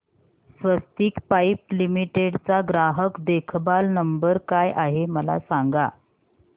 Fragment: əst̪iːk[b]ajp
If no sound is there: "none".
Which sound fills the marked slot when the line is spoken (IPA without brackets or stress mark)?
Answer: p